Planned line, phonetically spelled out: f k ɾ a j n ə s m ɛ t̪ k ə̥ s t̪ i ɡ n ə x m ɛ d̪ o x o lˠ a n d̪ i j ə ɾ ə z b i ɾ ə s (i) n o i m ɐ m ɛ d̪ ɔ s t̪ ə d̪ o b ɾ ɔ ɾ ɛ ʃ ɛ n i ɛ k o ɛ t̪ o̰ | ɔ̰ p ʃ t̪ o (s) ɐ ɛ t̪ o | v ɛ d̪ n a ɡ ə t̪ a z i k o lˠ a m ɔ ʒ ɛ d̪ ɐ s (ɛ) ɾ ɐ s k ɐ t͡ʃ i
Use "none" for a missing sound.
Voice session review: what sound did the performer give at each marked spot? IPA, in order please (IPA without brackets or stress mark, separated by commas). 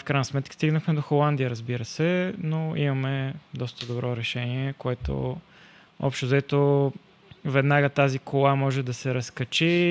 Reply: ɛ, z, ɛ